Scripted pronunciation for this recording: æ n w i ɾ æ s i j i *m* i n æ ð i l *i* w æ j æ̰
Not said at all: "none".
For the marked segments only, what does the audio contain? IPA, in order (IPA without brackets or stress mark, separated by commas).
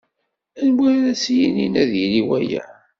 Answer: n, i